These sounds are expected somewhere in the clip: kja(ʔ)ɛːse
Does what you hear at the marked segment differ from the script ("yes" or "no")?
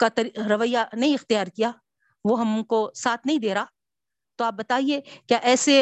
no